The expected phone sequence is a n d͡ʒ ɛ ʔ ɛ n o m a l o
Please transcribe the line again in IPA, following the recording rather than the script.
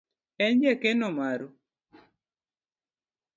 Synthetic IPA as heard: ɛ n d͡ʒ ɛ k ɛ n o m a ɾ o

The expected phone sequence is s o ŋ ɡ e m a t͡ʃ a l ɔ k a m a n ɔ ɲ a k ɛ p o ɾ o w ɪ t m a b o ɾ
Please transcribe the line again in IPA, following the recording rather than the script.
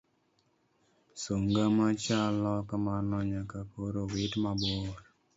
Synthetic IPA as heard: s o ŋ ɡ a m a t͡ʃ a l ɔ k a m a n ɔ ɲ a k a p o ɾ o w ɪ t m a b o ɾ

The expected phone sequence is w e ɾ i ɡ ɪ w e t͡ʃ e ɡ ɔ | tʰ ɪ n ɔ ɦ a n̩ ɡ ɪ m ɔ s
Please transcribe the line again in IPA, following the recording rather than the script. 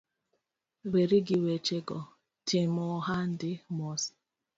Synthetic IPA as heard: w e ɾ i ɡ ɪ w e t͡ʃ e ɡ ɔ | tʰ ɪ m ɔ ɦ a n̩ d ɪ m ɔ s

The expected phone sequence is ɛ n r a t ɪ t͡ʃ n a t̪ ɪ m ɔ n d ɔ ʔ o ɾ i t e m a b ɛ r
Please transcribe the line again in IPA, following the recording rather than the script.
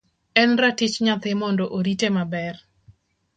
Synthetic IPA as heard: ɛ n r a t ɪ t͡ʃ ɲ a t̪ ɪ m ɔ n d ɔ ʔ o ɾ i t e m a b ɛ r

